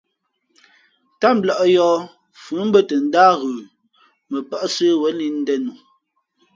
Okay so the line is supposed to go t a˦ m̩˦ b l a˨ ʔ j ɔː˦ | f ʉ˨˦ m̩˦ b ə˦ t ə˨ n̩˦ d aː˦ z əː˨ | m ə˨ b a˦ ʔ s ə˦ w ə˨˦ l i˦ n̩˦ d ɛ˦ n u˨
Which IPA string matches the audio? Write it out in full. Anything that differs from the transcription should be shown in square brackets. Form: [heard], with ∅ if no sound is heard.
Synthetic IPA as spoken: t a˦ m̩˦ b l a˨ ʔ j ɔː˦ | f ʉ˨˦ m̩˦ b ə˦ t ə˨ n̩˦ d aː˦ [ɣ] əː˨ | m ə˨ [p] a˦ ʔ s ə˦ w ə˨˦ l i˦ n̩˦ d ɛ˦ n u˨